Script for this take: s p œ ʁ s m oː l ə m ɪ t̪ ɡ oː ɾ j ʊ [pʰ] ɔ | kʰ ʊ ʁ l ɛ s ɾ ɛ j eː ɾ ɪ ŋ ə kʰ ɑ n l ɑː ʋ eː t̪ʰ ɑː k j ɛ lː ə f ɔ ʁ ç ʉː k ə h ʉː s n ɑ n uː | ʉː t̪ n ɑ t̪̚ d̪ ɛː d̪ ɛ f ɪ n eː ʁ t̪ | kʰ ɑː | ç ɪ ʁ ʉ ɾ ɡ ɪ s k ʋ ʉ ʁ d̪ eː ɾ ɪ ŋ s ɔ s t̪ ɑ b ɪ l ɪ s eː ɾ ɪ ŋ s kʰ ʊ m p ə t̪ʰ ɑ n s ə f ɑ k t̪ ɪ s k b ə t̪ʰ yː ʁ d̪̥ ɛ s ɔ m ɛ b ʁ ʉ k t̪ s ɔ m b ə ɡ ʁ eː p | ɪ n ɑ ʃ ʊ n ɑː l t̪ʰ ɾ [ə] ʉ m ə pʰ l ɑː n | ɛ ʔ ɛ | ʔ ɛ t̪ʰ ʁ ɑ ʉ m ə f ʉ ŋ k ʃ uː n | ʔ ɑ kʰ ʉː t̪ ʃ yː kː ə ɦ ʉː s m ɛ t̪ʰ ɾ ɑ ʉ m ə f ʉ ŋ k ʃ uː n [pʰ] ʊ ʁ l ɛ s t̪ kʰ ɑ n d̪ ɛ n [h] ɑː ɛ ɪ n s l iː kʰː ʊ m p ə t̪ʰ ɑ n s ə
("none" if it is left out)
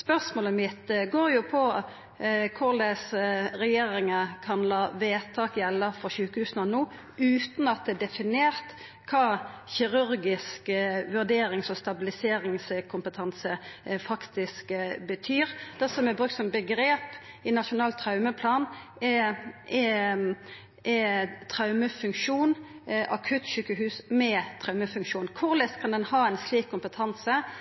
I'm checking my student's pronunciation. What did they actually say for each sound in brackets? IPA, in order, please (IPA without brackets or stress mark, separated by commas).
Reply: pʰ, ɑ, kʰ, h